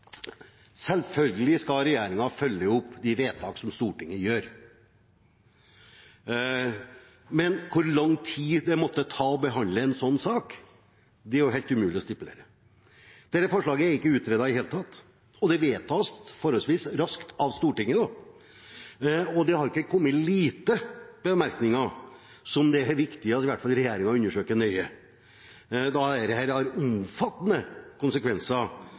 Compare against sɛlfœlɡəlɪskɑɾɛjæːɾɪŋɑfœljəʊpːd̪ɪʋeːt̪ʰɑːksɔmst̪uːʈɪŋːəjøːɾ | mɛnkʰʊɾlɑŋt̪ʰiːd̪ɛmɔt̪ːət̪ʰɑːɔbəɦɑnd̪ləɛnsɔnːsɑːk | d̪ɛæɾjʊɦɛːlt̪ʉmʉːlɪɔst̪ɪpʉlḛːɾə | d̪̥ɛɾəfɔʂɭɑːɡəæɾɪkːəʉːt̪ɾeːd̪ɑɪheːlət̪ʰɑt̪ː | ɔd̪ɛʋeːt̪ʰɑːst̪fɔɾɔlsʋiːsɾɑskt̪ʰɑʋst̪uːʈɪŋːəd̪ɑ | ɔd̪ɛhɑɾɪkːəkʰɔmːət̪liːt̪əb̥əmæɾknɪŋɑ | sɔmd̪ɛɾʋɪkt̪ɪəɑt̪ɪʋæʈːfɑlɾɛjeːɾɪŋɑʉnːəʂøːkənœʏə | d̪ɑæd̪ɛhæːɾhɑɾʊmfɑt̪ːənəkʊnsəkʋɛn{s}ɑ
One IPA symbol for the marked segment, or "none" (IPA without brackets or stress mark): s